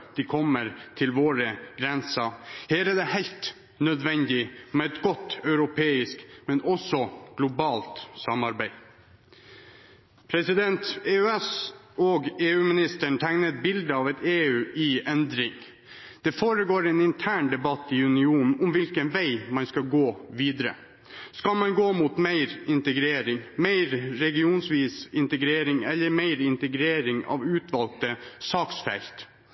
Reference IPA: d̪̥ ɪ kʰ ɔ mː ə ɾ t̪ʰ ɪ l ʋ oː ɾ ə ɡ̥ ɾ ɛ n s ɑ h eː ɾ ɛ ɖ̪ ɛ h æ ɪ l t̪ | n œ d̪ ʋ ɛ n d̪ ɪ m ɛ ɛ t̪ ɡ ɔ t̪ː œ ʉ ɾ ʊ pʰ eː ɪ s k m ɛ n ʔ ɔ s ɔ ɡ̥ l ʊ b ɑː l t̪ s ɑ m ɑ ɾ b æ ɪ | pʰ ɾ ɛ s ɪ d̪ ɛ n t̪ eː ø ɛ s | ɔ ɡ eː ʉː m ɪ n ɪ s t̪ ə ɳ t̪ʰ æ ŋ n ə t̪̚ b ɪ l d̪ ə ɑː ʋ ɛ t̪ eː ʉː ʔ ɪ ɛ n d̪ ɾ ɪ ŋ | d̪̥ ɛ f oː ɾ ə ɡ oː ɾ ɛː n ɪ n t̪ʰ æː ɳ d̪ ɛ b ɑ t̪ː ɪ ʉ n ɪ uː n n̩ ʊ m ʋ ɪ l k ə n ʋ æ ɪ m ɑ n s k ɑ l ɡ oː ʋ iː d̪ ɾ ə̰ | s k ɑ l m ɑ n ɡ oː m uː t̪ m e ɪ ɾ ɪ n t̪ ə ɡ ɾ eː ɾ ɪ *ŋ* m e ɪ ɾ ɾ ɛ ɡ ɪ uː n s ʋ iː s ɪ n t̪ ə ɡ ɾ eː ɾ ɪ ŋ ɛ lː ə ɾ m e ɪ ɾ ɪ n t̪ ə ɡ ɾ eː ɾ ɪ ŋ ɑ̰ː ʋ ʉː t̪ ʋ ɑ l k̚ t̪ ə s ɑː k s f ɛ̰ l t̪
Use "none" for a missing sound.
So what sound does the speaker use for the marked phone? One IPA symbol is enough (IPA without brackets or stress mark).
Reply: ŋ